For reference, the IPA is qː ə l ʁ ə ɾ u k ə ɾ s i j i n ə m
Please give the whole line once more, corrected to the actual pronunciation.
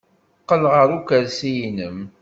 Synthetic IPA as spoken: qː ə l ʁ ə ɾ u k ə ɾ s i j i n ə m

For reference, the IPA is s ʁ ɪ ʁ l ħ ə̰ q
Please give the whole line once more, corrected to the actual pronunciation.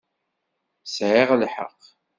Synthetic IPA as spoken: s ʕ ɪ ʁ l ħ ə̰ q

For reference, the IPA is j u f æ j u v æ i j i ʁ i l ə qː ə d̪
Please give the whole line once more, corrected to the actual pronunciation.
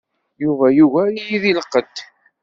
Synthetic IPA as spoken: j u v æ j u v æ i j i ð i l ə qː ə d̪

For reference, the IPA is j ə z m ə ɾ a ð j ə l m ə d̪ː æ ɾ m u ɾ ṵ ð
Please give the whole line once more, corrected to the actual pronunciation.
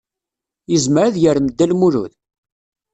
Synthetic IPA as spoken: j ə z m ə ɾ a ð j ə ɾ m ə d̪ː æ l m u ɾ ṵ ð

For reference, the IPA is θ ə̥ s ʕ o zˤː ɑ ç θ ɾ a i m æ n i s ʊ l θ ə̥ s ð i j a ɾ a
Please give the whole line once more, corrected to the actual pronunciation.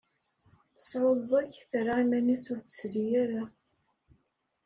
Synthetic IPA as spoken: θ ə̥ s ʕ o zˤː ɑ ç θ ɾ a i m æ n i s ʊ ɾ θ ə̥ s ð i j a ɾ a

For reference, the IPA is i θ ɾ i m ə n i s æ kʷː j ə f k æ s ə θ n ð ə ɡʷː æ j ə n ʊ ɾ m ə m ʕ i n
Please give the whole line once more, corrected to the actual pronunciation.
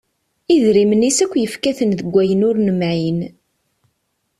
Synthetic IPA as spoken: i ð ɾ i m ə n i s æ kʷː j ə f k æ θ ə n ð ə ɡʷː æ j ə n ʊ ɾ n ə m ʕ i n

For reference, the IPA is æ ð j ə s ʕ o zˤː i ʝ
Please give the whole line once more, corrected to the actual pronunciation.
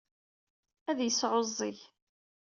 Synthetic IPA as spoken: æ ð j ə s ʕ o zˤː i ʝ

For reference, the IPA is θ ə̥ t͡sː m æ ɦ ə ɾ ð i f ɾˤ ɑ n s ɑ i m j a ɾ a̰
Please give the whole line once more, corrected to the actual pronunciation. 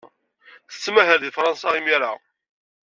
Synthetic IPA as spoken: θ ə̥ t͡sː m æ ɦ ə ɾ ð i f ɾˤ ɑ n s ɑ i m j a ɾ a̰

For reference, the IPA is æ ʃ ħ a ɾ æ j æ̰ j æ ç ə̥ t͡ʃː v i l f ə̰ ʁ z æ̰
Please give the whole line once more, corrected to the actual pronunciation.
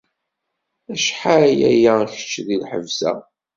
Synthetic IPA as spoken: æ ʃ ħ a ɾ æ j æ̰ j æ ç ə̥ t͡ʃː ð i l ħ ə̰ v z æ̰

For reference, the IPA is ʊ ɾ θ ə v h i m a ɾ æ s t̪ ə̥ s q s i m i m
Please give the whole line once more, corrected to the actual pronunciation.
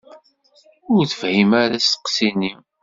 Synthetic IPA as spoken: ʊ ɾ θ ə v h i m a ɾ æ s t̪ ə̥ q s i n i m

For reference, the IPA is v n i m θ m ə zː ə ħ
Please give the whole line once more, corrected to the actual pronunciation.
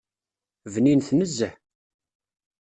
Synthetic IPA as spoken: v n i n θ n ə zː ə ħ

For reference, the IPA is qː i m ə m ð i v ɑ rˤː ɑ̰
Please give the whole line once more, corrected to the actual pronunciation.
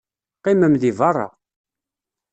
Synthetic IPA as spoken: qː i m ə m ð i v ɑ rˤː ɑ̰

